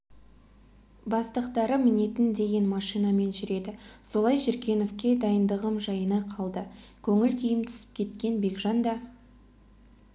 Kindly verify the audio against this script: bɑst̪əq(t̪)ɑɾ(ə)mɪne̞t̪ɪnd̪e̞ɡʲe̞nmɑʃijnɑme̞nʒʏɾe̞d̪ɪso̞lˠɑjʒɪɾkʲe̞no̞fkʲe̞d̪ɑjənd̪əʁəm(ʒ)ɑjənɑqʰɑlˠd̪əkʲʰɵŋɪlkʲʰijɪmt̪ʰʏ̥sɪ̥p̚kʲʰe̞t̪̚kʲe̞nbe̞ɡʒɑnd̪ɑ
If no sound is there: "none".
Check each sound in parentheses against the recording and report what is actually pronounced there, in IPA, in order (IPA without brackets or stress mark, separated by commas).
t̪, ə, ʒ